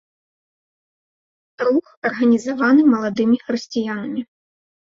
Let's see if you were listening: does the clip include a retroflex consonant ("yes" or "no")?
no